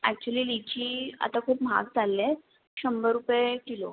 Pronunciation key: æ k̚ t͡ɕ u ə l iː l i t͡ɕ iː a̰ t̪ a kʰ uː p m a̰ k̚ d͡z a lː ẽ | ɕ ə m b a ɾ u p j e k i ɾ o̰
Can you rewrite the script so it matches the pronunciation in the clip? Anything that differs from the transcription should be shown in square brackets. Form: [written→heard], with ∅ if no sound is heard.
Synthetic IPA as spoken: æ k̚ t͡ɕ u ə l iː l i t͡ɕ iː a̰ t̪ a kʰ uː p m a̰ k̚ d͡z a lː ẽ | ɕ ə m b [a→ə] ɾ u p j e k i [ɾ→l] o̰